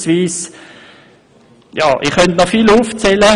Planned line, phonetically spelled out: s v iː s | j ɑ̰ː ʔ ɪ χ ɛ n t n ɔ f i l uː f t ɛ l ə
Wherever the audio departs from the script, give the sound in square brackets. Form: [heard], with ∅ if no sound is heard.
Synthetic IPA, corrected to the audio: s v iː s | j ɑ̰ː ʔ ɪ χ [œ] n t n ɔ f i l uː f [t͡s] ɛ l ə

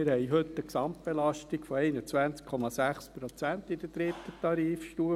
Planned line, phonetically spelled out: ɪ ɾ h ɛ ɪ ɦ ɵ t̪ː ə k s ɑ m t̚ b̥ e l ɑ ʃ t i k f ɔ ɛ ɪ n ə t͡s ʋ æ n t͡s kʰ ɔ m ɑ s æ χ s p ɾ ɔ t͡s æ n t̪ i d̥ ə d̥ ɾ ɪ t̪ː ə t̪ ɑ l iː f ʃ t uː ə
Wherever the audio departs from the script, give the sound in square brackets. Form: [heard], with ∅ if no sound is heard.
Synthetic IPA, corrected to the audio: ɪ ɾ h ɛ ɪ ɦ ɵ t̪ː ə k s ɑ m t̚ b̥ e l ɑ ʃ t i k f ɔ ɛ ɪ n ə t͡s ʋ æ n t͡s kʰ ɔ m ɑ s æ χ s p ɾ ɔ t͡s æ n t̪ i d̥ ə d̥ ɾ ɪ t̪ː ə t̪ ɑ [ɾ] iː f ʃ t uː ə

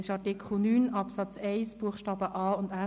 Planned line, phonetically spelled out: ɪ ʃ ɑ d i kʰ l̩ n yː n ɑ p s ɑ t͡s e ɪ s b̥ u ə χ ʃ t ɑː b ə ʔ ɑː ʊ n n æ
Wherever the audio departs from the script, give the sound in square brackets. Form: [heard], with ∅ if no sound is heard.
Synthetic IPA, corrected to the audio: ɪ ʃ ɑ [t] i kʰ l̩ n yː n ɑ p s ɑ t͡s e ɪ s b̥ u ə χ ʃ t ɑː b ə ʔ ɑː ʊ n [d] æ

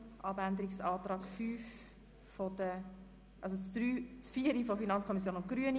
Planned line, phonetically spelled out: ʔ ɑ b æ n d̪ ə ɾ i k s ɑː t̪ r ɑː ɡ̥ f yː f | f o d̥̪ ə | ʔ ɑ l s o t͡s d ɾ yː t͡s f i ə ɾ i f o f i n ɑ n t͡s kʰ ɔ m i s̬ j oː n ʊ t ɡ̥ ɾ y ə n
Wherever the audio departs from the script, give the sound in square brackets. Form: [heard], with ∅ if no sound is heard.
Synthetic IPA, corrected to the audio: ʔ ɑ b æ n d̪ ə ɾ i k s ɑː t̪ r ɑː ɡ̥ f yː f | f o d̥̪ ə | ʔ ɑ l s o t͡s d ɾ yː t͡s f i ə ɾ i f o f i n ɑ n t͡s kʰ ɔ m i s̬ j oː n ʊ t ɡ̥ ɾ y ə n

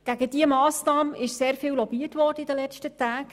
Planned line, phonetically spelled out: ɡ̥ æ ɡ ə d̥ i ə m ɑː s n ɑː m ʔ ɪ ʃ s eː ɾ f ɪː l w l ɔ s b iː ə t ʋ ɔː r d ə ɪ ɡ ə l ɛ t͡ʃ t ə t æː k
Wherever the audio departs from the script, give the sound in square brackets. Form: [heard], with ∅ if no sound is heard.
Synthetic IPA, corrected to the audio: ɡ̥ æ ɡ ə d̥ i ə m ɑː s n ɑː m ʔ ɪ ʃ s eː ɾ f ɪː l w l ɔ [∅] b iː ə t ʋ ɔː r d ə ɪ [d] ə l ɛ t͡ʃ t ə t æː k

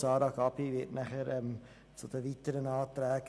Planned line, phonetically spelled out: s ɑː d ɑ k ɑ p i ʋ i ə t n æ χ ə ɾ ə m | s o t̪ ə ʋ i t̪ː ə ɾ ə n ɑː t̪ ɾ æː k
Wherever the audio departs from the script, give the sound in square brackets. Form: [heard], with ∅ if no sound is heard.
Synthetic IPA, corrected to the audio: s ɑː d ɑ k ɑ p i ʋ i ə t n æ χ ə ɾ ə m | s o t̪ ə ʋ i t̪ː ə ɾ ə n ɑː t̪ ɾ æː k

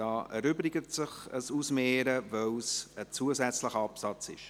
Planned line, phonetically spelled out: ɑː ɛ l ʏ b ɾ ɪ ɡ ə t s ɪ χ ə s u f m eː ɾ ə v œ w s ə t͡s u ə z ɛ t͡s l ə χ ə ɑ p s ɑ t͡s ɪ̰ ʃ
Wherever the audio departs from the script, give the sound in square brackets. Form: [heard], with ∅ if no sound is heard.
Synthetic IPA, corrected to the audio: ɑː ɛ [ɾ] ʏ b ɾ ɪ ɡ ə t s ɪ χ ə s u [s] m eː ɾ ə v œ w s ə t͡s u ə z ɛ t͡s l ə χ ə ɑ p s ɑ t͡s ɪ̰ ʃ

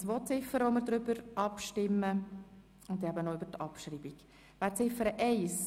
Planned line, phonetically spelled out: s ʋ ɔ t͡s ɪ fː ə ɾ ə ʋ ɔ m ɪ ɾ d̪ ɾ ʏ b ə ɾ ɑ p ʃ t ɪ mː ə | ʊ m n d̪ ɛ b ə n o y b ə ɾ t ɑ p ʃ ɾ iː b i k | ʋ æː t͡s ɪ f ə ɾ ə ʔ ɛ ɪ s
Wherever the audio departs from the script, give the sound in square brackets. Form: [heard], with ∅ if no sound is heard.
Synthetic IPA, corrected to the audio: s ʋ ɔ t͡s ɪ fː ə ɾ ə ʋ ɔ m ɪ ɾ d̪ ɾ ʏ b ə ɾ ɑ p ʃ t ɪ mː ə | ʊ [∅] n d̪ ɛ b ə n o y b ə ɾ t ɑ p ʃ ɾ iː b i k | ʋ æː t͡s ɪ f ə ɾ ə ʔ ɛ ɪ s

